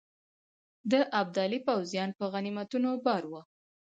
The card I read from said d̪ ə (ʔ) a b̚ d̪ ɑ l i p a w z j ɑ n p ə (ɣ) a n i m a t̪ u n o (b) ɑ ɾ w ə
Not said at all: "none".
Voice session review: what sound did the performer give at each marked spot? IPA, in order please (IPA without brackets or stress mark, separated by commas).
ʔ, ɣ, b